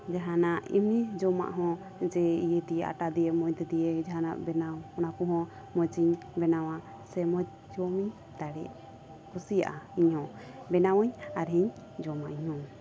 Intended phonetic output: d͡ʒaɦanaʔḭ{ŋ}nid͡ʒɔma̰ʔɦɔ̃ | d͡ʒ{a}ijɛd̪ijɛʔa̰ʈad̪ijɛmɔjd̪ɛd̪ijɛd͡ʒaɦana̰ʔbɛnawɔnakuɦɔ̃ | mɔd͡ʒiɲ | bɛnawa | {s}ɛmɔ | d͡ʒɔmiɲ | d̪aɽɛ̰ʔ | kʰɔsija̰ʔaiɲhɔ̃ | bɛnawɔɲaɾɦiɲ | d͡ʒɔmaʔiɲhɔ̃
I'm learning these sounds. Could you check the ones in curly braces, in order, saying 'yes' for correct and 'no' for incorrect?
no, no, yes

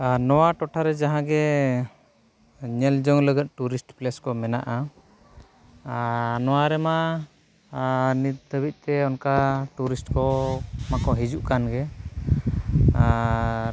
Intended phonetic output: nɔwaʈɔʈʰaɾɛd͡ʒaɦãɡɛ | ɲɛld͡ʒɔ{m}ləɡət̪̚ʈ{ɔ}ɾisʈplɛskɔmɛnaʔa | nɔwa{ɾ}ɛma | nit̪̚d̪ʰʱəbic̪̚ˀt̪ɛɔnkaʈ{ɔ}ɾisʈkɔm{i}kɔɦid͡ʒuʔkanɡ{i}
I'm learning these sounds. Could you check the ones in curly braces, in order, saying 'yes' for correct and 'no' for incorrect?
no, no, yes, no, no, no

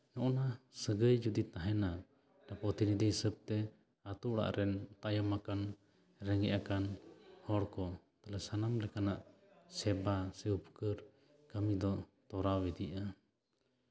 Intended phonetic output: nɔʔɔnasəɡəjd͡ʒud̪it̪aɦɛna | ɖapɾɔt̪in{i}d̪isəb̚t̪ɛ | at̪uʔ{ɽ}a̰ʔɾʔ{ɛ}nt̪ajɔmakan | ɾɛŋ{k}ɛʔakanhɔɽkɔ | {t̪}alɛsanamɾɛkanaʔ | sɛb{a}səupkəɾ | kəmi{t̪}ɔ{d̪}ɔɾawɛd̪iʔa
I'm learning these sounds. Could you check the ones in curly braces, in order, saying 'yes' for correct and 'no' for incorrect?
yes, yes, yes, no, yes, yes, no, no

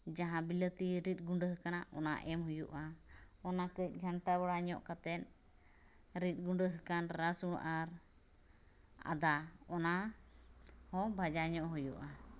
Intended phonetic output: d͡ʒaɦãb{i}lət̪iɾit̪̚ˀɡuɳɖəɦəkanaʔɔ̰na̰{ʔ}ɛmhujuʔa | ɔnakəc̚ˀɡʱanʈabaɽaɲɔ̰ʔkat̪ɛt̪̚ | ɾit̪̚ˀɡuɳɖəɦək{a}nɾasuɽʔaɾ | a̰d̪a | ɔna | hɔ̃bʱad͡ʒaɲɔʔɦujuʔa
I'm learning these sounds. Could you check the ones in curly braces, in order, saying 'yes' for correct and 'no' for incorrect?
yes, yes, yes

